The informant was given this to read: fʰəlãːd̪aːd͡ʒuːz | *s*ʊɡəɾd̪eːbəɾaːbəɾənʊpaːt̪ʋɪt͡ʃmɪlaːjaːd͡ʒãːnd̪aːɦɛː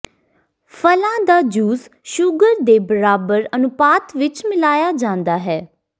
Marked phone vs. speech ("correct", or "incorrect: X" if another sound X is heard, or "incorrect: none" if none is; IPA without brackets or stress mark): incorrect: ʃ